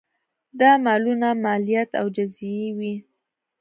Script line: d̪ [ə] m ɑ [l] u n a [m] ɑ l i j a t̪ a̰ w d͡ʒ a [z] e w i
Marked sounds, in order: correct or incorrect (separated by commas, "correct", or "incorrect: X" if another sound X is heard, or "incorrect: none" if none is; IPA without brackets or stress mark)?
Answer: incorrect: ɑ, correct, correct, correct